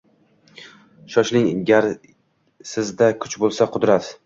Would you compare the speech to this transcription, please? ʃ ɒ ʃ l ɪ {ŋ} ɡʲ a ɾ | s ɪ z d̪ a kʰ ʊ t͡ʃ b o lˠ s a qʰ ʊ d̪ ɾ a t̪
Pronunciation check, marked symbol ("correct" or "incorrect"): correct